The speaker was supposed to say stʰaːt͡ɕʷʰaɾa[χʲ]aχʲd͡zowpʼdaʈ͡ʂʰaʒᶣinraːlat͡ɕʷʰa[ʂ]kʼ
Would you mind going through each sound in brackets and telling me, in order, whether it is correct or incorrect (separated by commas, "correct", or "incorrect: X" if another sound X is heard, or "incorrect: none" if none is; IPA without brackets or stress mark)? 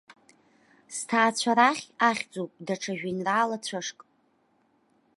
correct, correct